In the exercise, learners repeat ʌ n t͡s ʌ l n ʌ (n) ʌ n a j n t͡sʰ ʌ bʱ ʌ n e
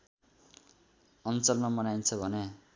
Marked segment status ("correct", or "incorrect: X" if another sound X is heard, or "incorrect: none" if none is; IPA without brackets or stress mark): incorrect: m